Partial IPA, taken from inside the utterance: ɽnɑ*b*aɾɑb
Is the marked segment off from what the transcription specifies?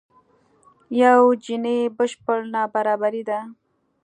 no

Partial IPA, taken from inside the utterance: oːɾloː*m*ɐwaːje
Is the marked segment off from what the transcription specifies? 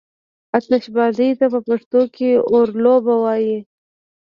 yes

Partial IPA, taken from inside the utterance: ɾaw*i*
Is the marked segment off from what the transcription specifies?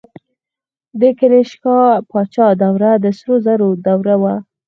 yes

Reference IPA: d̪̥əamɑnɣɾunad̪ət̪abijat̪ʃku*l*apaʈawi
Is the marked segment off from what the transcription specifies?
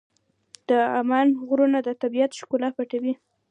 no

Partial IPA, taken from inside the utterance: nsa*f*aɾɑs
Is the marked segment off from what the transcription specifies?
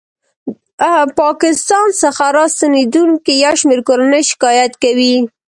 yes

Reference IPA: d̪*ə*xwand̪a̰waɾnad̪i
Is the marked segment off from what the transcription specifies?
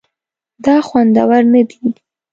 yes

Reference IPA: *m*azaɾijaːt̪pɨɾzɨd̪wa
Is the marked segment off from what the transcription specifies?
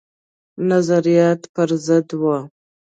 yes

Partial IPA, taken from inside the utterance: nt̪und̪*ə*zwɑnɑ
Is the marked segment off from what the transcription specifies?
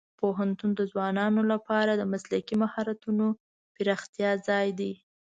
no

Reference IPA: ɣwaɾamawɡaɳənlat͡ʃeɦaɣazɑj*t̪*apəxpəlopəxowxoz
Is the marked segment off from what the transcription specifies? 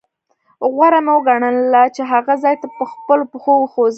no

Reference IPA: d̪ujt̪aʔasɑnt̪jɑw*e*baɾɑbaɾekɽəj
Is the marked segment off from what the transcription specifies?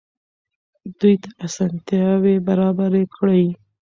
no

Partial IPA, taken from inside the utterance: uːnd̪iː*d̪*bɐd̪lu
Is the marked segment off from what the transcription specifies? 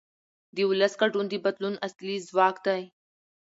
yes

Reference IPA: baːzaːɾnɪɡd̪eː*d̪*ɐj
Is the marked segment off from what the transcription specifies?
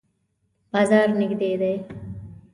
no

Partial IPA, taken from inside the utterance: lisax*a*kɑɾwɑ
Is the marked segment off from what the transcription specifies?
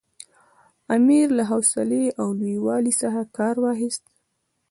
no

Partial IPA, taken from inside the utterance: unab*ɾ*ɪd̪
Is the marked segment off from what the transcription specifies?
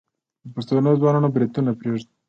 no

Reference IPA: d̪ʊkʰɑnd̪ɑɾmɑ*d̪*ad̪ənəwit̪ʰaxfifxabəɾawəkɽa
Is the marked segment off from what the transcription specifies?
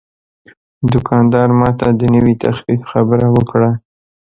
yes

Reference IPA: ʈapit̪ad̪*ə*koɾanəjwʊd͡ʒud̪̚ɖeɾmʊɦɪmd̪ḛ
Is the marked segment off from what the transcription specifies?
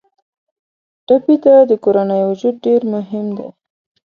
no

